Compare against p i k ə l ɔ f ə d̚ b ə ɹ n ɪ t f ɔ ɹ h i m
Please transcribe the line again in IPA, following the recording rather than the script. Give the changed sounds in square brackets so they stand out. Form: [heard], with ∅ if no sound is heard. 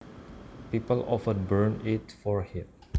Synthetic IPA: p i [p] ə l ɔ f ə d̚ b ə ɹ n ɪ t f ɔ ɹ h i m